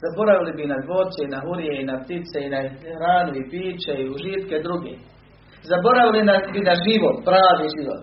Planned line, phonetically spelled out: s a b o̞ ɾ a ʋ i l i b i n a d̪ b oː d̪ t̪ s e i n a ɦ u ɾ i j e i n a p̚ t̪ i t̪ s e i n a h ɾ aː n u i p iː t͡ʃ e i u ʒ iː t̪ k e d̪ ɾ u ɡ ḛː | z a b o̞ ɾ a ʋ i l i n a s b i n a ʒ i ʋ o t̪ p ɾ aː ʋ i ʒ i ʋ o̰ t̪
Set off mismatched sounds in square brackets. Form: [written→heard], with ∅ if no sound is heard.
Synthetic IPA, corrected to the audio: [s→z] a b o̞ ɾ a ʋ i l i b i n a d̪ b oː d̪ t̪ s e i n a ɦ u ɾ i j e i n a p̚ t̪ i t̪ s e i n a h ɾ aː n u i p iː t͡ʃ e i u ʒ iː t̪ k e d̪ ɾ u ɡ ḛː | z a b o̞ ɾ a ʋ i l i n a s b i n a ʒ i ʋ o t̪ p ɾ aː ʋ i ʒ i ʋ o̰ t̪